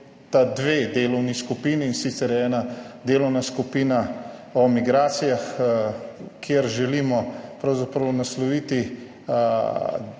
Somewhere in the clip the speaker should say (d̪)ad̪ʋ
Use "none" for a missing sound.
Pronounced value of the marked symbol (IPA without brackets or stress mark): t̪